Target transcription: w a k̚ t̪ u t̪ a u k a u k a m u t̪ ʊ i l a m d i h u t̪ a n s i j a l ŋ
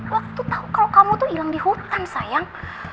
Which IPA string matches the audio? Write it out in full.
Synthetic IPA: w a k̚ t̪ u t̪ a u k a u k a m u t̪ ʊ i l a ŋ d i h u t̪ a n s a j a ŋ